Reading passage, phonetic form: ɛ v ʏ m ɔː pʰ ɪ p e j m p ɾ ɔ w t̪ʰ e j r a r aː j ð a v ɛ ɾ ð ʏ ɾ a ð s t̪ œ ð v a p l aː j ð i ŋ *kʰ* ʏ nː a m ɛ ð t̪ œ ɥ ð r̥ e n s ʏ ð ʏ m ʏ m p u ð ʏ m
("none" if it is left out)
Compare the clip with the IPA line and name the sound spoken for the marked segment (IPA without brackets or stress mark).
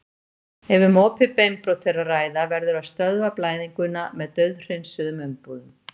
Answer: k